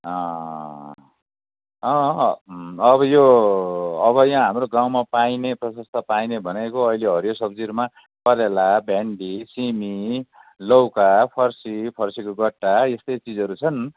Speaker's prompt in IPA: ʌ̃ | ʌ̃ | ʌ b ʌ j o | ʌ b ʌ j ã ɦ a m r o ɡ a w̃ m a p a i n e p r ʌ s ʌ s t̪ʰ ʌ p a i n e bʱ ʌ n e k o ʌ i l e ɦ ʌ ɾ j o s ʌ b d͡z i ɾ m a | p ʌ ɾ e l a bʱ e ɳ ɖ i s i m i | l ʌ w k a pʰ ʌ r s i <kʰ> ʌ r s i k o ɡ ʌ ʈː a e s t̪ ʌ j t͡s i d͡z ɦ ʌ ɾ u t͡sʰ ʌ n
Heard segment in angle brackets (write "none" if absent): pʰ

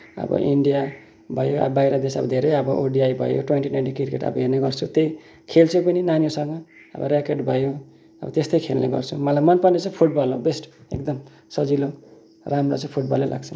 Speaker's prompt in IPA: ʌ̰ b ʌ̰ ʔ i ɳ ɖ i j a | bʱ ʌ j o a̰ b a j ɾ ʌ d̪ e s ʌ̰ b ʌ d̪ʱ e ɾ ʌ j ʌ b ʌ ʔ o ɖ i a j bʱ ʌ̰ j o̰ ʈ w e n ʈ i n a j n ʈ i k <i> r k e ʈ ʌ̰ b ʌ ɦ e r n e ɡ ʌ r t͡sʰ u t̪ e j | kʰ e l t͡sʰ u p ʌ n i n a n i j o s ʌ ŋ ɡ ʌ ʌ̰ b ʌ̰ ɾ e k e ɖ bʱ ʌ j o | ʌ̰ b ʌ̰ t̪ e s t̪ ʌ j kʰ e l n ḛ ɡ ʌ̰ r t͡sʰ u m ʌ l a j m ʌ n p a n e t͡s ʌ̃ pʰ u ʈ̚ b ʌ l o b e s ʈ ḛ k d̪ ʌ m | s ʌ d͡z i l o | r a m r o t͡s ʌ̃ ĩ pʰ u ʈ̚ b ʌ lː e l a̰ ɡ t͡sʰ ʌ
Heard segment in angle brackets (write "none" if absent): i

